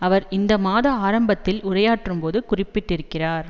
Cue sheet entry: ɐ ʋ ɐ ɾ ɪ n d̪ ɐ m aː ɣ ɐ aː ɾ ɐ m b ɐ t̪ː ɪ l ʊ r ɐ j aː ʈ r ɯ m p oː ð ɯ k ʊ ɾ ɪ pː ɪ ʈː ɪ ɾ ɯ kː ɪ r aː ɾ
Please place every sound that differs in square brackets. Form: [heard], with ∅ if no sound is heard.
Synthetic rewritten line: ɐ ʋ ɐ ɾ ɪ n d̪ ɐ m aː [ð] ɐ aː ɾ ɐ m b ɐ t̪ː ɪ l ʊ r ɐ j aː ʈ r ɯ m p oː ð ɯ k ʊ [r] ɪ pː ɪ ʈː ɪ ɾ ɯ kː ɪ r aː ɾ